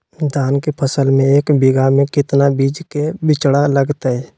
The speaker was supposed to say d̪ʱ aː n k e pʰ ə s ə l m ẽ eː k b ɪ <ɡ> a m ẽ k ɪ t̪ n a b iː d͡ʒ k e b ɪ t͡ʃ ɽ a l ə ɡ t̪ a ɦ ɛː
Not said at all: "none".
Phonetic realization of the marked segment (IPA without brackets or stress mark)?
ɡ